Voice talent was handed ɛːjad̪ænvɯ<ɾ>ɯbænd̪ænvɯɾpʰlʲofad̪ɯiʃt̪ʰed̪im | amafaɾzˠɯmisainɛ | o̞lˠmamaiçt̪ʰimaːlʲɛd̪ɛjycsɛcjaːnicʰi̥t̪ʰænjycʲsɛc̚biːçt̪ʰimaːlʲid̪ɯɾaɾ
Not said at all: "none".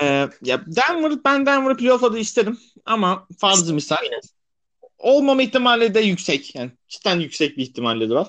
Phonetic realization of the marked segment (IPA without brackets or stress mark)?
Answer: ɾ